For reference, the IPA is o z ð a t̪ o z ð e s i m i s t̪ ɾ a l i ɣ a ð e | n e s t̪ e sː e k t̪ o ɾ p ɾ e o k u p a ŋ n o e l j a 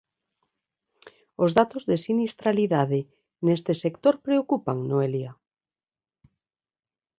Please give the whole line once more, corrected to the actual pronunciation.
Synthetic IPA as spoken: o z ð a t̪ o z ð e s i n i s t̪ ɾ a l i ð a ð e | n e s t̪ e s e k t̪ o ɾ p ɾ e o k u p a ŋ n o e l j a